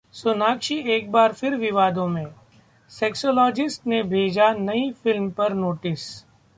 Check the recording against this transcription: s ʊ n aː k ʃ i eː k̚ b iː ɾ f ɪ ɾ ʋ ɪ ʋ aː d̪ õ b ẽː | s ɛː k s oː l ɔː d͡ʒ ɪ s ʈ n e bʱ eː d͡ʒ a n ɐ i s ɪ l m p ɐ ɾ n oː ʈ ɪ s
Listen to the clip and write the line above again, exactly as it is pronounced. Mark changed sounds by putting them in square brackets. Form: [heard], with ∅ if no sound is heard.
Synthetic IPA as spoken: s ʊ n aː k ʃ i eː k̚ b [aː] ɾ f ɪ ɾ ʋ ɪ ʋ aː d̪ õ [m] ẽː | s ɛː k s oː l ɔː d͡ʒ ɪ s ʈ n e bʱ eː d͡ʒ a n ɐ i [f] ɪ l m p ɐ ɾ n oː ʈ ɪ s